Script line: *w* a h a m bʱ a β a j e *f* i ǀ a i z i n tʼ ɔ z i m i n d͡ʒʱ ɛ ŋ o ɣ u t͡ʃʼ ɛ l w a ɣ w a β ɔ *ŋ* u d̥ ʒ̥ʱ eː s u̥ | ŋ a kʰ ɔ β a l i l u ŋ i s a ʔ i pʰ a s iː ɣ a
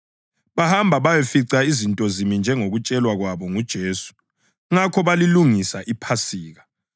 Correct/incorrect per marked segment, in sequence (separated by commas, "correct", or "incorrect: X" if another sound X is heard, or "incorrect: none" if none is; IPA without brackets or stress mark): incorrect: β, correct, correct